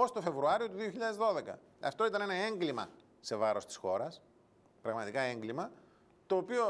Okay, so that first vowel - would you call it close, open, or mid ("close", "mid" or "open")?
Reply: mid